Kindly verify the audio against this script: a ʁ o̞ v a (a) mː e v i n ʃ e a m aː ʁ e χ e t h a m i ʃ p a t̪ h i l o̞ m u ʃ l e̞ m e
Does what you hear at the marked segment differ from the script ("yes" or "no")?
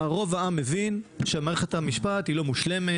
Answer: no